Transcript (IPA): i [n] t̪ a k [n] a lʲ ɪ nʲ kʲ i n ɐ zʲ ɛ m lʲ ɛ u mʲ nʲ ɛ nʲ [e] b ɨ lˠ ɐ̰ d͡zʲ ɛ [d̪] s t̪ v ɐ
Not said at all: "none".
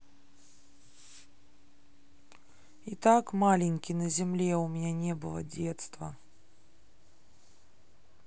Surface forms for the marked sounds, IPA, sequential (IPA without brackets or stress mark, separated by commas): none, m, ɛ, t̪